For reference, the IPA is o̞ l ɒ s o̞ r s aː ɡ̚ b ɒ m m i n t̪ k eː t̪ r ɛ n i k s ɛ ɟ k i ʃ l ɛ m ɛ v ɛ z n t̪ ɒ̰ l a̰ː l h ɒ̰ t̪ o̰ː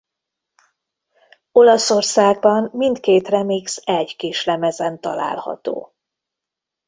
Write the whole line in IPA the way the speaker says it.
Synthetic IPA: o̞ l ɒ s o̞ r s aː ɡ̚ b ɒ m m i n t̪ k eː t̪ r ɛ m i k s ɛ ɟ k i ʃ l ɛ m ɛ z ɛ n t̪ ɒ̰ l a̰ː l h ɒ̰ t̪ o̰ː